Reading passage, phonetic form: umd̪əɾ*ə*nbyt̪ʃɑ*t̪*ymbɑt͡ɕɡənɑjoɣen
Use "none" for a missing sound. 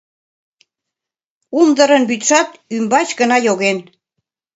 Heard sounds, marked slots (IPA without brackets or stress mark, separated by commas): ə, t̪